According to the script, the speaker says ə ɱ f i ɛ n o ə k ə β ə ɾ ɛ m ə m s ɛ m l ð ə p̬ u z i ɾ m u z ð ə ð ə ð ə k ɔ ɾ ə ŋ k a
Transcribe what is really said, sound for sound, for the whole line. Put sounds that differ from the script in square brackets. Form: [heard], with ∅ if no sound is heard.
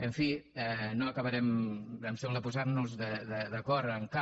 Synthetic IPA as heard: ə ɱ f i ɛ n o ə k ə β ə ɾ ɛ m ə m s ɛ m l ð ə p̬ u z [a] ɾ [n] u z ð ə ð ə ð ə k ɔ ɾ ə ŋ k a